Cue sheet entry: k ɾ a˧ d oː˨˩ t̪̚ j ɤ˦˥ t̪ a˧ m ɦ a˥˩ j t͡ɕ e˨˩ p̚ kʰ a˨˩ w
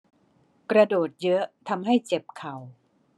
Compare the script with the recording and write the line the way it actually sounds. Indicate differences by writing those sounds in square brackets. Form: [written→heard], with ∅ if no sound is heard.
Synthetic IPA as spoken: k ɾ a˧ d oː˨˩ t̪̚ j ɤ˦˥ [t̪→t̪ʰ] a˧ m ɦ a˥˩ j t͡ɕ e˨˩ p̚ kʰ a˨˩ w